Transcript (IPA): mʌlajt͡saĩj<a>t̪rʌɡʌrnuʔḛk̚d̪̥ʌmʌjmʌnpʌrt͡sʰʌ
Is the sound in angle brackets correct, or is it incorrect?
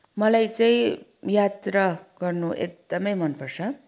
correct